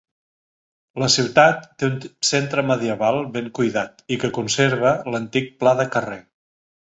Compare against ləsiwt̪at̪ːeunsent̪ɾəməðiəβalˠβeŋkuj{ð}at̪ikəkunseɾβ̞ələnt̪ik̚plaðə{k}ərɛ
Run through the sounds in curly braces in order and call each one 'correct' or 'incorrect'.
correct, correct

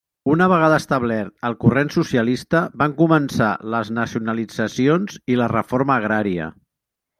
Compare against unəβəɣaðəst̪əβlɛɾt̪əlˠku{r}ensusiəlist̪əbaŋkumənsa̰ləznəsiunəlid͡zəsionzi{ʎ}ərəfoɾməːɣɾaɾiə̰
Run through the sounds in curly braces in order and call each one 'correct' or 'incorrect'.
correct, incorrect: l

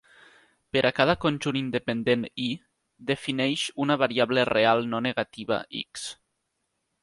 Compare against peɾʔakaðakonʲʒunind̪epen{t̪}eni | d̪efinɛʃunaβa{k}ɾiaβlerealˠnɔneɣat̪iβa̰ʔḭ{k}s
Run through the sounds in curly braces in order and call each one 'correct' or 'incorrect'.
incorrect: d̪, incorrect: none, correct

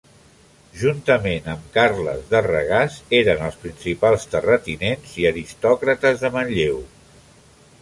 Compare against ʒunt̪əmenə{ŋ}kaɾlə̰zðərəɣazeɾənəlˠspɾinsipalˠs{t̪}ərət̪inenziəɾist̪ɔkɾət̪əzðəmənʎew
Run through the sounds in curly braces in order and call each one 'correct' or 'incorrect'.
incorrect: m, correct

